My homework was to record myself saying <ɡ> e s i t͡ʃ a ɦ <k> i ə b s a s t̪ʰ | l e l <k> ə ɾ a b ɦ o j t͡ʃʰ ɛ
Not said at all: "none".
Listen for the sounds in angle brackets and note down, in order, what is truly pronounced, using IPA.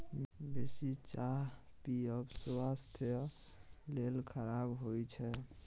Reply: b, p, kʰ

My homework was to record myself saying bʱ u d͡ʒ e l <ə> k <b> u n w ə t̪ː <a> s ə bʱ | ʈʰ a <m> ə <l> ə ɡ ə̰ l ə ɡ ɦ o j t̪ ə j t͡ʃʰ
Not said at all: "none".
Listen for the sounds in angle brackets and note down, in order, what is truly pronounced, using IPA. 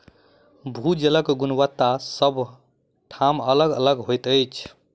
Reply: ə, ɡ, a, m, l

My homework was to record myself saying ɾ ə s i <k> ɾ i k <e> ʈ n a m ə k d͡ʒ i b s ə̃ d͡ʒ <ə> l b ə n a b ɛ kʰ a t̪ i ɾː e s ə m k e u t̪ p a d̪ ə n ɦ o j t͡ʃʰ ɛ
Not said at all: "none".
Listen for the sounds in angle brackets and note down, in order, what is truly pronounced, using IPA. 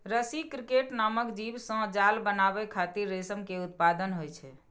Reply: k, e, a

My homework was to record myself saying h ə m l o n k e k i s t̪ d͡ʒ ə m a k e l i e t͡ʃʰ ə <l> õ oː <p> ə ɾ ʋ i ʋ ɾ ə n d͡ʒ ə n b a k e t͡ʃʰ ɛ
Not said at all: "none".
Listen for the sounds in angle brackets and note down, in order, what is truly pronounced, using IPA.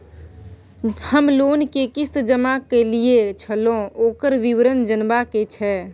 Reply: l, k

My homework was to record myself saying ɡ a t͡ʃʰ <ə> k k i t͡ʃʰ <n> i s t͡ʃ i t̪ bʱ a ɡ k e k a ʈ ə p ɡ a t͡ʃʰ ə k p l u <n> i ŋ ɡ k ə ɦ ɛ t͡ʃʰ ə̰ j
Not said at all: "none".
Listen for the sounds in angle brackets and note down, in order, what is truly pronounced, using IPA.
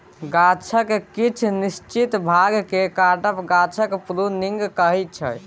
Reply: ə, n, n

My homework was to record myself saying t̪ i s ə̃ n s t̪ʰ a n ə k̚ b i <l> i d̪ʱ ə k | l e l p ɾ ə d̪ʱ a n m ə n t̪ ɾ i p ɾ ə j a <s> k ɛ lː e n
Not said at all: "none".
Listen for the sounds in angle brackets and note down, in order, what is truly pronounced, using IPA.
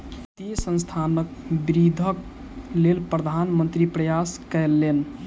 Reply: ɾ, s

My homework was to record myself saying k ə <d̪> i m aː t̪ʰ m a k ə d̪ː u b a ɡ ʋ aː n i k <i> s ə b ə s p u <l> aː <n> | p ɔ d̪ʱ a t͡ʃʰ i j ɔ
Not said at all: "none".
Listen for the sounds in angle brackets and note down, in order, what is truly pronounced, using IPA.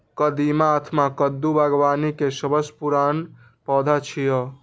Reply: d̪, e, ɾ, n

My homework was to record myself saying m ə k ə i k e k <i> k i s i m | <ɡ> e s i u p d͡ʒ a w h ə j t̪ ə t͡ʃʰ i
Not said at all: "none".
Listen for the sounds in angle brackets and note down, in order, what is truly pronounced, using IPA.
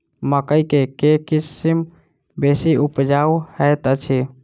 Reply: e, b

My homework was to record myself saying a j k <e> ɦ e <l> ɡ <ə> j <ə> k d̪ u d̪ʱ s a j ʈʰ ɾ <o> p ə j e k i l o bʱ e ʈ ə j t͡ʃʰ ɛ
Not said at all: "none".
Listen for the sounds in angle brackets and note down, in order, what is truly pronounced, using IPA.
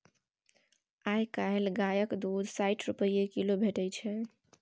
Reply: a, l, a, ə, u

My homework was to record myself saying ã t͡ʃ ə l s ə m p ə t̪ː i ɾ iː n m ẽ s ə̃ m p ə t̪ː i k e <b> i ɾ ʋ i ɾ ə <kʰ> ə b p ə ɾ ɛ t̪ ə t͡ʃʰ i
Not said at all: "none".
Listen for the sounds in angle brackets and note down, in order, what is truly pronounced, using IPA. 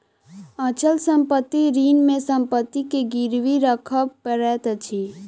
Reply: ɡ, kʰ

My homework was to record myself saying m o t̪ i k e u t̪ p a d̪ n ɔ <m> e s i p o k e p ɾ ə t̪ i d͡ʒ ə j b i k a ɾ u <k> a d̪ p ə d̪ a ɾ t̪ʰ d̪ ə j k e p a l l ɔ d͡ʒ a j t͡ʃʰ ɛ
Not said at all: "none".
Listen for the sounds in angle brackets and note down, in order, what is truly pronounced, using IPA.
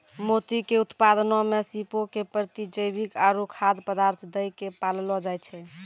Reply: m, kʰ

